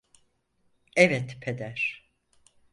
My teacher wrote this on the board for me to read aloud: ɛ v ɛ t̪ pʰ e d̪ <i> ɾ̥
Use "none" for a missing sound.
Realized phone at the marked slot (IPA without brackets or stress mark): æ